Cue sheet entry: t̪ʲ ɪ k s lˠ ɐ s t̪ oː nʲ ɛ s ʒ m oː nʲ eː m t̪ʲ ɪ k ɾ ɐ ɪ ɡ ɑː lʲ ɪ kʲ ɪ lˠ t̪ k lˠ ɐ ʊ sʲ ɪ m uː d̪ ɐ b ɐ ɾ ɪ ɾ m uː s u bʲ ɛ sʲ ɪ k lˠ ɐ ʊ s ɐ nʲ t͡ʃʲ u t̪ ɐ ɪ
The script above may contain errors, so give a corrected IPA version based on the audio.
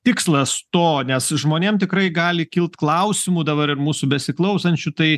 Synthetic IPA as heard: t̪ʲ ɪ k s lˠ ɐ s t̪ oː nʲ ɛ s ʒ m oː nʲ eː m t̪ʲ ɪ k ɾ ɐ ɪ ɡ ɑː lʲ ɪ kʲ ɪ lˠ t̪ k lˠ ɐ ʊ sʲ ɪ m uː d̪ ɐ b ɐ ɾ ɪ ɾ m uː s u bʲ ɛ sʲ ɪ k lˠ ɐ ʊ s ɐ nʲ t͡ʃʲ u t̪ ɐ ɪ